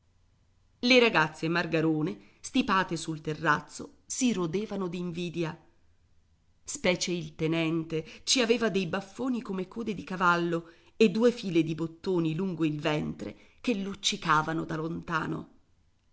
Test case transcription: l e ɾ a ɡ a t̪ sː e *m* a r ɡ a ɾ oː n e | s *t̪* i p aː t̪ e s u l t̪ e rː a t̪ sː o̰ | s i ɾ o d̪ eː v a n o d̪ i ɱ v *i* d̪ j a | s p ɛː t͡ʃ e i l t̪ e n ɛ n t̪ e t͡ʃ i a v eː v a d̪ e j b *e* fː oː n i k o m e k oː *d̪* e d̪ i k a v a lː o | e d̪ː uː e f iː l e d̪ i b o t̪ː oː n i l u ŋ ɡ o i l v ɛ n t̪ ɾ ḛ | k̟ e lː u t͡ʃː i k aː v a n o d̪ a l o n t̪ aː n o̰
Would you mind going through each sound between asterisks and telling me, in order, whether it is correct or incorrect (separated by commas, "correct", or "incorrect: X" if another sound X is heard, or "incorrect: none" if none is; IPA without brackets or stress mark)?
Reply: correct, correct, incorrect: iː, incorrect: a, correct